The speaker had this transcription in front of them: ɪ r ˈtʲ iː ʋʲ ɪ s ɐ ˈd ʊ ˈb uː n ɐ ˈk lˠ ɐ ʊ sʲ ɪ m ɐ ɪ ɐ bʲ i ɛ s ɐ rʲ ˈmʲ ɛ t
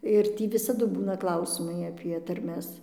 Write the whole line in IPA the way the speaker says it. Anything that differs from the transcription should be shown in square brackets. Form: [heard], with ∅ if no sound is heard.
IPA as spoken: ɪ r ˈtʲ iː ʋʲ ɪ s ɐ ˈd ʊ ˈb uː n ɐ ˈk lˠ ɐ ʊ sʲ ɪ m ɐ ɪ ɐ [pʲ] i ɛ [t] ɐ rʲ ˈmʲ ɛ [s]